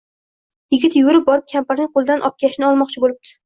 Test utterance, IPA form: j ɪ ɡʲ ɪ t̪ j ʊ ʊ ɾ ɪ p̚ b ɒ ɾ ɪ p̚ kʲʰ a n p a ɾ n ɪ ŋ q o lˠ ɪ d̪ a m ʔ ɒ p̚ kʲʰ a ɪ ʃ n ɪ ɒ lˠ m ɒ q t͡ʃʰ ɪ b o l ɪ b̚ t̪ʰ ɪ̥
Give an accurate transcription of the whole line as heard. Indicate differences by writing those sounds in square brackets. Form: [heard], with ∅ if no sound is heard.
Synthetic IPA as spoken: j ɪ ɡʲ ɪ t̪ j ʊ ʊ ɾ ɪ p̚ b ɒ ɾ ɪ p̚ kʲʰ a [m] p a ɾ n ɪ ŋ q o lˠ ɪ d̪ a [n] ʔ ɒ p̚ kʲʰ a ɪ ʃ n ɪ ɒ lˠ m ɒ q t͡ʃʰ ɪ b o l ɪ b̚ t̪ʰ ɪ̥